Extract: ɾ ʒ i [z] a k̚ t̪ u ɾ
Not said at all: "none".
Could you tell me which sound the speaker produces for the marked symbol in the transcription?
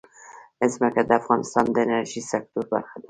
s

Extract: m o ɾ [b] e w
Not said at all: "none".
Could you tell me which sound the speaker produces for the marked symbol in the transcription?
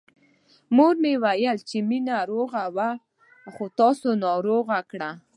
m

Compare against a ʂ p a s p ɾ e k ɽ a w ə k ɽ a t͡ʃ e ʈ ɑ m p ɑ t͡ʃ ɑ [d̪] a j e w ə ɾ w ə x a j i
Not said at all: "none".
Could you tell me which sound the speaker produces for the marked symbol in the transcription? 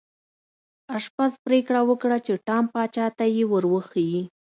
t̪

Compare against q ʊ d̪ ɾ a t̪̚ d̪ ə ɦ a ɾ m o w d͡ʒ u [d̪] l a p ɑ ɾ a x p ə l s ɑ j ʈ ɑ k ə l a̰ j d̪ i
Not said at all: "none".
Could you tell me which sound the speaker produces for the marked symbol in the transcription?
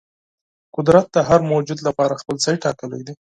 d̪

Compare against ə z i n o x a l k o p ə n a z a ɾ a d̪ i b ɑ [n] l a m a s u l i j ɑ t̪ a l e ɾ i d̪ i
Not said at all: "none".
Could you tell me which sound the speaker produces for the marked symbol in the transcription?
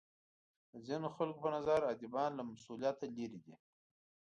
n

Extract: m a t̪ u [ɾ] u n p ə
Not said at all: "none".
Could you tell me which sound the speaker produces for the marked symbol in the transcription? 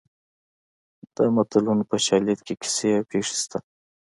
l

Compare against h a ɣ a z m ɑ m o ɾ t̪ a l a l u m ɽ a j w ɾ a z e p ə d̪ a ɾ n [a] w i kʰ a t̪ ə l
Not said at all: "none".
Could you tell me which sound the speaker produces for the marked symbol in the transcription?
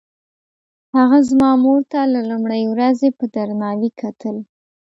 ɑ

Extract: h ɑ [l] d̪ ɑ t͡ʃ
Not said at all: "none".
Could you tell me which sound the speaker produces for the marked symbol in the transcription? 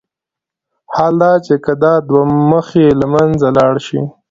l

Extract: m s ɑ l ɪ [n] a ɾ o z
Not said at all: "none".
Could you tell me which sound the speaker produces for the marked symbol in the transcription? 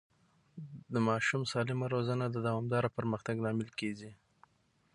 m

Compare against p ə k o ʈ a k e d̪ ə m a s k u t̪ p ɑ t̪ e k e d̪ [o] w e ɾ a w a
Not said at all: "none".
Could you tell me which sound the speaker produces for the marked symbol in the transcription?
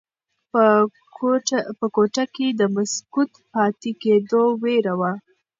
o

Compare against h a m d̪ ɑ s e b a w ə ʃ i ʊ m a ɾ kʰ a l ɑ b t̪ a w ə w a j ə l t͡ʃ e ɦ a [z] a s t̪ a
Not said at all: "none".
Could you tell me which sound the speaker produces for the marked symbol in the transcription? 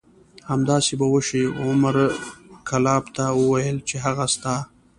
ɣ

